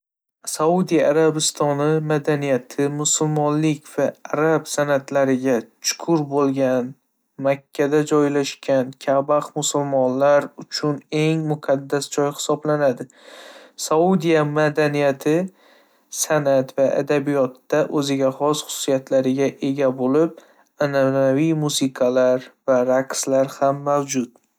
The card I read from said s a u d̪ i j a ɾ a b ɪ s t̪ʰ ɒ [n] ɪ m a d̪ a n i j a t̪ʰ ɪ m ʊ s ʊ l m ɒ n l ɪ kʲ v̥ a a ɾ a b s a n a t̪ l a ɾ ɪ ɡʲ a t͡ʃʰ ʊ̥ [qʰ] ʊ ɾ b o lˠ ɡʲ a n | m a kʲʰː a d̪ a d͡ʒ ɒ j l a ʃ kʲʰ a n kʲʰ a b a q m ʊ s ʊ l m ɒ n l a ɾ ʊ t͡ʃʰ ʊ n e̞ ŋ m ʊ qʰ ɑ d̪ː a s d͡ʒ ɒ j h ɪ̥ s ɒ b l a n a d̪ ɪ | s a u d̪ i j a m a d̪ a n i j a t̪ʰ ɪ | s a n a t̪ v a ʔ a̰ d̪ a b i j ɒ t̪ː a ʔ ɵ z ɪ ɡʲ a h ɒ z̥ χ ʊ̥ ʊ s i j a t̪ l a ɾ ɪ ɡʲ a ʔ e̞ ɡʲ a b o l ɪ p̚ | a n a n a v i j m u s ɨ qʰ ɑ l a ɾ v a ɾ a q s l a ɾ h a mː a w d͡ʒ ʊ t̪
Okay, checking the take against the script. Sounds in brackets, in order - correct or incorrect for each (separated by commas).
correct, incorrect